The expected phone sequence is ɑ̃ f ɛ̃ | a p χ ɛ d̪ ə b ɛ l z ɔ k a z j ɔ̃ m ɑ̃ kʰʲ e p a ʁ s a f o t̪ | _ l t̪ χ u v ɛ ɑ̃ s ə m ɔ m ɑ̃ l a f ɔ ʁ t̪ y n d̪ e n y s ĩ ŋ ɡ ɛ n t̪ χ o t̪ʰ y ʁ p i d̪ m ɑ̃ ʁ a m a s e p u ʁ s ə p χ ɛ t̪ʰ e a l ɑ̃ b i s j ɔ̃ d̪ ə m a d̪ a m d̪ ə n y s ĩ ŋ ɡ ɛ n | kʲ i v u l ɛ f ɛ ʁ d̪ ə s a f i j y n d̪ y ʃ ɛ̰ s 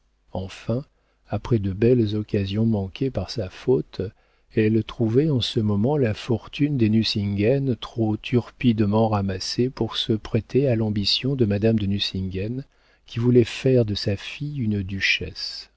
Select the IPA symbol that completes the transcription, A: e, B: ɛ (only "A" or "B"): B